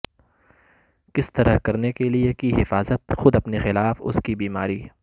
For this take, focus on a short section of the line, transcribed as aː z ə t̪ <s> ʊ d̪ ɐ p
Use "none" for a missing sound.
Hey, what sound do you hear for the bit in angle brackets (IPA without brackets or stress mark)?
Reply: x